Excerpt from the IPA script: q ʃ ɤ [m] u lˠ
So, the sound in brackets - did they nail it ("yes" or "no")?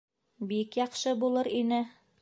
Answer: no